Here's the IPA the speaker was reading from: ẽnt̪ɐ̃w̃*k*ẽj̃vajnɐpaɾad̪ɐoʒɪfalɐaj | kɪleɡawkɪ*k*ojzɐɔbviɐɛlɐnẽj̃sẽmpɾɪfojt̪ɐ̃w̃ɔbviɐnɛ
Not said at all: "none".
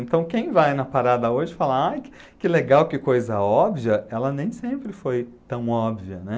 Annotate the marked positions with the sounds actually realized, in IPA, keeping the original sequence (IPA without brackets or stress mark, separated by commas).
k, k